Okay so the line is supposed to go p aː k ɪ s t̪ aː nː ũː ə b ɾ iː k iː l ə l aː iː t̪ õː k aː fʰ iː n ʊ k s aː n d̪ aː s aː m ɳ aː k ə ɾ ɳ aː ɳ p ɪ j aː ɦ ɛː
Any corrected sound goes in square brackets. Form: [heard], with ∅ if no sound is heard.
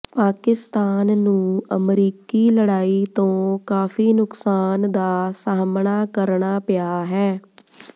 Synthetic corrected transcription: p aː k ɪ s t̪ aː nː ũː ə [m] ɾ iː k iː l ə [ɽ] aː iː t̪ õː k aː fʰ iː n ʊ k s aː n d̪ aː s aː m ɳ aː k ə ɾ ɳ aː [∅] p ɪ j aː ɦ ɛː